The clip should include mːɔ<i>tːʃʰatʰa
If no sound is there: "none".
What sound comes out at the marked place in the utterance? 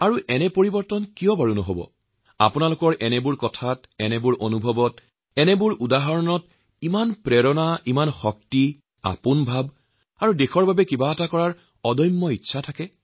i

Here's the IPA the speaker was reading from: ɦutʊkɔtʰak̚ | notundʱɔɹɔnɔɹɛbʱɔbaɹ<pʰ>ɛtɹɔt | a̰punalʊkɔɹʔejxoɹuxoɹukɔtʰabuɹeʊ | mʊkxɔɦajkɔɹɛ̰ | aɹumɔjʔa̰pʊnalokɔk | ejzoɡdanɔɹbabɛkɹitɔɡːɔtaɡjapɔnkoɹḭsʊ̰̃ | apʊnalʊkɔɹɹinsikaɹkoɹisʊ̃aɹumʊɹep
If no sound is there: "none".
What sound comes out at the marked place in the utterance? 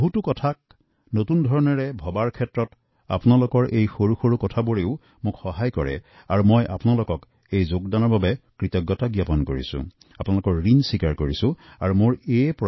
kʰ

